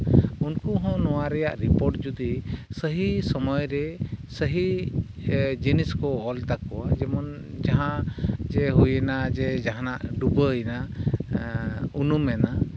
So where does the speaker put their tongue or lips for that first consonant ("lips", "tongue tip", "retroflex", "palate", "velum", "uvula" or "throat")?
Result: tongue tip